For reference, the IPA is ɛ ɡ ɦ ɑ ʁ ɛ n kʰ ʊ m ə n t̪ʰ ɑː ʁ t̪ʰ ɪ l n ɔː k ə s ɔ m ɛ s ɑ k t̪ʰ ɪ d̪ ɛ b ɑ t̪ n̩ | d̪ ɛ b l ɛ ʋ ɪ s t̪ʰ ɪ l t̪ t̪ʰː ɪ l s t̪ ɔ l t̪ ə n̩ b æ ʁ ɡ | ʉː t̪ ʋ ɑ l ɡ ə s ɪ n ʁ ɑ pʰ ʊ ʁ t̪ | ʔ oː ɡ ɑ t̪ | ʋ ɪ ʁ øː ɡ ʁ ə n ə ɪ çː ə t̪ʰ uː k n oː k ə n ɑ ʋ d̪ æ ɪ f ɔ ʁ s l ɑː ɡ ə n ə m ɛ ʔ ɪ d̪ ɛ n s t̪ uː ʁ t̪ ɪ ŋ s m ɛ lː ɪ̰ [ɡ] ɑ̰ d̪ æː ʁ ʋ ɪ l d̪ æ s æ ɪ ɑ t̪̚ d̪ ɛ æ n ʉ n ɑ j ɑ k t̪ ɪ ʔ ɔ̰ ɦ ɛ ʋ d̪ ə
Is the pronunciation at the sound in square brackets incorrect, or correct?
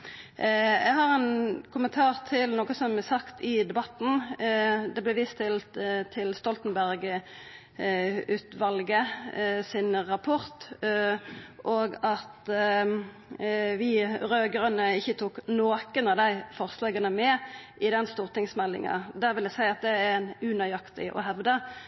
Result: incorrect